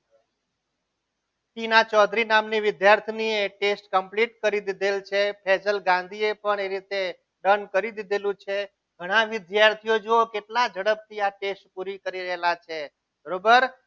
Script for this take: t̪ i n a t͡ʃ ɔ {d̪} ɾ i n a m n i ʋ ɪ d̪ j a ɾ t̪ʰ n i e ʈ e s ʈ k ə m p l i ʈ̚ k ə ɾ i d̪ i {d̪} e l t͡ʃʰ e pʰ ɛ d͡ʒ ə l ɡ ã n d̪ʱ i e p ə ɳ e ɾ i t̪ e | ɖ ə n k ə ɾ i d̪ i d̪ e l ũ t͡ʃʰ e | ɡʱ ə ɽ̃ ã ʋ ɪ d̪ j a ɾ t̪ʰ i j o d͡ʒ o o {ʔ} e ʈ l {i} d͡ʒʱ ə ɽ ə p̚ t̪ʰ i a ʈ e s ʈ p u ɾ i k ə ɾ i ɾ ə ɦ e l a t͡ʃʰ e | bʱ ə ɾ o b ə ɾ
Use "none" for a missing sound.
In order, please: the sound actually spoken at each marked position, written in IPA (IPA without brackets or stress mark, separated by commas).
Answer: d̪, d̪, k, a